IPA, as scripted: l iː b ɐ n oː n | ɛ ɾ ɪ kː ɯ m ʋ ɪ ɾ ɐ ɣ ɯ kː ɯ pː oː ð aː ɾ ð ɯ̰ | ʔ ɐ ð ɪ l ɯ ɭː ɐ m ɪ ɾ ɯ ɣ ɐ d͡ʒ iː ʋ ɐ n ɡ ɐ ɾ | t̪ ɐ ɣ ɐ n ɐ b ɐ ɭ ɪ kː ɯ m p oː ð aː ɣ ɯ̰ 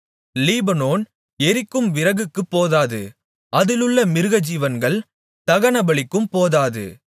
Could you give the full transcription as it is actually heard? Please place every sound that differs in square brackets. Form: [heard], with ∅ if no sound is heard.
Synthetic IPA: l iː b ɐ n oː n | ɛ ɾ ɪ kː ɯ m ʋ ɪ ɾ ɐ ɣ ɯ kː ɯ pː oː ð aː [∅] ð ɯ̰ | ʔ ɐ ð ɪ l ɯ ɭː ɐ m ɪ ɾ ɯ ɣ ɐ d͡ʒ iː ʋ ɐ n ɡ ɐ [ɭ] | t̪ ɐ ɣ ɐ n ɐ b ɐ ɭ ɪ kː ɯ m p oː ð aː [ð] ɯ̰